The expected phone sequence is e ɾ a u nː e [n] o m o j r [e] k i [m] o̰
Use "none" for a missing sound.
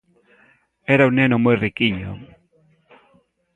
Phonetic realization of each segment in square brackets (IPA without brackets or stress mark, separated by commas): n, i, ɲ